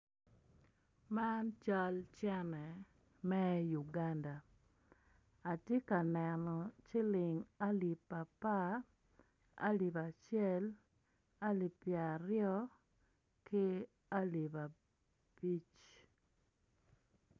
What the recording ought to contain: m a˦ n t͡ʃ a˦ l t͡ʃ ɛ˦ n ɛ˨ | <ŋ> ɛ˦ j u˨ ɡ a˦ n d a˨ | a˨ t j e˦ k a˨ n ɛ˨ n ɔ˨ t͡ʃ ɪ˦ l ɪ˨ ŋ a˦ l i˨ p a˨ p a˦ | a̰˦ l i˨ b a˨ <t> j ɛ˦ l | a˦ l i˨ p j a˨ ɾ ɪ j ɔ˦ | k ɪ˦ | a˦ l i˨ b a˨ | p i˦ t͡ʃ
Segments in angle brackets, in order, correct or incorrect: incorrect: m, incorrect: t͡ʃ

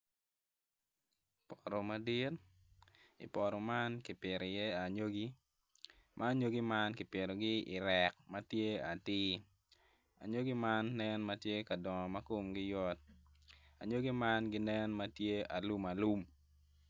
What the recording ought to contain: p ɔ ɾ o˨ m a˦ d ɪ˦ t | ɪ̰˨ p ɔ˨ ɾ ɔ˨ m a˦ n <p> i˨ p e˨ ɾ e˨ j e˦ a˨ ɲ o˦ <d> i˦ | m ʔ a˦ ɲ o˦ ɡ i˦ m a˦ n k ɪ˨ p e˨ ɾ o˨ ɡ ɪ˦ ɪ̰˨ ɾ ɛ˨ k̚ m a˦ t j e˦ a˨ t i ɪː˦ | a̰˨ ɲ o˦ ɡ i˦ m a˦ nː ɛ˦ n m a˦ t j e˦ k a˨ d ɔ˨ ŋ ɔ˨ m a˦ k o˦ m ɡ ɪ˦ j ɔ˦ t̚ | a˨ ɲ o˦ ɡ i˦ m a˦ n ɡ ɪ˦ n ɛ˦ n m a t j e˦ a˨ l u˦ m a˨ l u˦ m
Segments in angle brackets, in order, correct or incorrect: incorrect: k, incorrect: ɡ

